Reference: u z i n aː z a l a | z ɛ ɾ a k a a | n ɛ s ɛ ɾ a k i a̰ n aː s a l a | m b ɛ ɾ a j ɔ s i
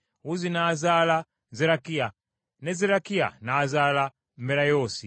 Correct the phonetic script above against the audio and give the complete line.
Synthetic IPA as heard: u z i n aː z a l a | z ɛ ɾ a k i a | n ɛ z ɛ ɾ a k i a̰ n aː z a l a | m b ɛ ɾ a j ɔ s i

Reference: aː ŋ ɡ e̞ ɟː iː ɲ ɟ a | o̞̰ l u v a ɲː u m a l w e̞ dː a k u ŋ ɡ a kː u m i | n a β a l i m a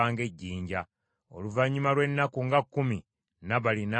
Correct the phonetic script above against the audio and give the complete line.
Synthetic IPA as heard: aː ŋ ɡ e̞ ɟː iː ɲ ɟ a | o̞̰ l u v a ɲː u m a l w e̞ nː a k u ŋ ɡ a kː u m i | n a β a l i n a

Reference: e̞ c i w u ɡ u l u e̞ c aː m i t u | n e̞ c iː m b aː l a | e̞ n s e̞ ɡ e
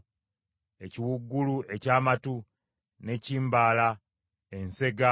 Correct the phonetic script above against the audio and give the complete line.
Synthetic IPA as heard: e̞ c i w u ɡː u l u e̞ c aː m a t u | n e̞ c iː m b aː l a | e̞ n s e̞ ɡ a

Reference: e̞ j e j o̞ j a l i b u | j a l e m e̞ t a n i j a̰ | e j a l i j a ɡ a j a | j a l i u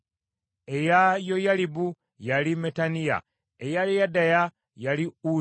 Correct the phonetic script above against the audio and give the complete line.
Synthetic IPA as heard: e̞ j a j o̞ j a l i b u | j a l i m e̞ t a n i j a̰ | e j a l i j a d a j a | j a l i u

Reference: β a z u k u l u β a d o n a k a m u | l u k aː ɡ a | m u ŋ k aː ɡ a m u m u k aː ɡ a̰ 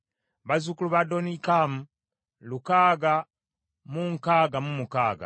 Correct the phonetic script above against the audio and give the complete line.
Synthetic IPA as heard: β a z u k u l u β a d o n i k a m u | l u k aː ɡ a | m u ŋ k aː ɡ a m u m u k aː ɡ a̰

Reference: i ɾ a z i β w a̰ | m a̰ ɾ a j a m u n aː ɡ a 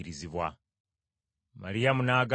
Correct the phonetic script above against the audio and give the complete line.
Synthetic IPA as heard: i ɾ i z i β w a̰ | m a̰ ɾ i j a m u n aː ɡ a

